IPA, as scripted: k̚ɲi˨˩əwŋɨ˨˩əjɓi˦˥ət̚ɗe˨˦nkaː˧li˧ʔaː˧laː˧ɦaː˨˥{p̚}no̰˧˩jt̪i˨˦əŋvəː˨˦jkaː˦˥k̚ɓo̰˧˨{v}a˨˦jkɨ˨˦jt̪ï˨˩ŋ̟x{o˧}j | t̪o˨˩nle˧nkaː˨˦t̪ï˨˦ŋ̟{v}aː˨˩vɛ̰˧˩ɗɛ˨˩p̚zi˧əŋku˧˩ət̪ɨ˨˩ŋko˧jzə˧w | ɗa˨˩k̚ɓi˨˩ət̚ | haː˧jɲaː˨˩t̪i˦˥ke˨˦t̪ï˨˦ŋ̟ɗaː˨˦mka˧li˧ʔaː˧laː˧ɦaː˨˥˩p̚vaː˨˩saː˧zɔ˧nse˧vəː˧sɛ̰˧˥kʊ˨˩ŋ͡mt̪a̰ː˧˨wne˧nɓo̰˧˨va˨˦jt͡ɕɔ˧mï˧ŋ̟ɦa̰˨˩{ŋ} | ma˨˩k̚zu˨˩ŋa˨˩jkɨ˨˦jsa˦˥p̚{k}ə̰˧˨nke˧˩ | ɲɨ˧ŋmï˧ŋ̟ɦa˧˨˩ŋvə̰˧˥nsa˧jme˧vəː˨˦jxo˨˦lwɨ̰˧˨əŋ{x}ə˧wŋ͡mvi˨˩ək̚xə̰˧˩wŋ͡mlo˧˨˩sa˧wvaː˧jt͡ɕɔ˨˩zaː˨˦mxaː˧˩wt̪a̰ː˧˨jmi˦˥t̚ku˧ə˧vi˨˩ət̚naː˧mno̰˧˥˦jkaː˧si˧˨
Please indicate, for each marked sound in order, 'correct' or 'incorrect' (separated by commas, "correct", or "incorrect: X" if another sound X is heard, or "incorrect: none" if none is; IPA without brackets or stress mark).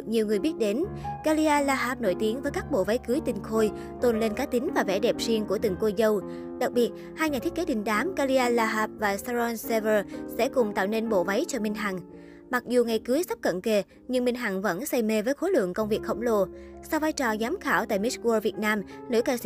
correct, correct, correct, correct, correct, correct, incorrect: k